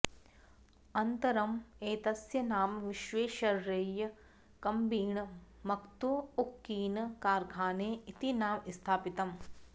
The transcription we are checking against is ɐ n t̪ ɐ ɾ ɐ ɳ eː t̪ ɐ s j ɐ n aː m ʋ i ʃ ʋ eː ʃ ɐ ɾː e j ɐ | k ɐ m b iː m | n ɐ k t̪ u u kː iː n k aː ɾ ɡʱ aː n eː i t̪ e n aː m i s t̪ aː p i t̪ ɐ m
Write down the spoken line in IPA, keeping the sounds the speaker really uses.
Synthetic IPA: ɐ n t̪ ɐ ɾ ɐ m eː t̪ ɐ s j ɐ n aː m ʋ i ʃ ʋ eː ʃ ɐ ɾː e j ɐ | k ɐ m b iː ɳ | m ɐ k t̪ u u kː iː n k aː ɾ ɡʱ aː n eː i t̪ i n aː m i s t̪ʰ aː p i t̪ ɐ m